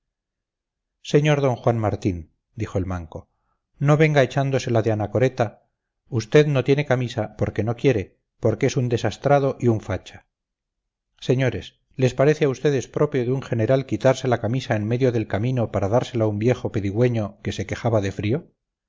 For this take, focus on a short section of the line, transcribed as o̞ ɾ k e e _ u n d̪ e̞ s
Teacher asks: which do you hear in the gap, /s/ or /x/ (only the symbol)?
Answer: s